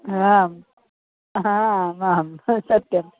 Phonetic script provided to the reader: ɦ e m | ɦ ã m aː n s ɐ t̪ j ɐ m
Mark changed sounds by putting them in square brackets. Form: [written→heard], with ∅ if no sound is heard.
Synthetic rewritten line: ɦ [e→a] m | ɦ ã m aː [n→m] s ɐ t̪ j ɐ m